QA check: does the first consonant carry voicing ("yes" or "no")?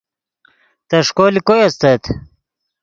no